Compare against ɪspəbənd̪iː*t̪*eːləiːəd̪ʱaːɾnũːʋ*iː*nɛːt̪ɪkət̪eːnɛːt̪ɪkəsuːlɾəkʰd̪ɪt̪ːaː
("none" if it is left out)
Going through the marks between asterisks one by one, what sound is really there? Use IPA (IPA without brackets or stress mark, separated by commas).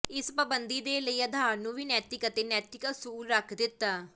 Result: d̪, iː